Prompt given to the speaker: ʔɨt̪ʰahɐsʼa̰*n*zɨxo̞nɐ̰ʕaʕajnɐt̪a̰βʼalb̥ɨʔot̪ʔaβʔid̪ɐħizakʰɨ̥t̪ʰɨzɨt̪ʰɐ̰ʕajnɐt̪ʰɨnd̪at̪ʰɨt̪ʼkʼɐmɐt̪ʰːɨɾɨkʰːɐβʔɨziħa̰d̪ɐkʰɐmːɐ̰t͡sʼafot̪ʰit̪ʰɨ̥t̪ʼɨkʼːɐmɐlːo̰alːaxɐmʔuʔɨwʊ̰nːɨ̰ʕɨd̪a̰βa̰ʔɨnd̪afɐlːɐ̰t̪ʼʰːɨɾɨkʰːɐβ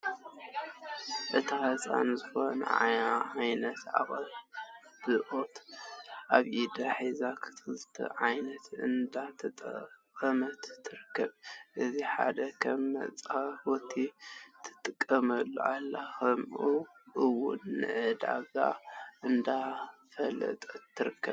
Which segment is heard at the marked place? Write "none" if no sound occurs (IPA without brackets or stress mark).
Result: n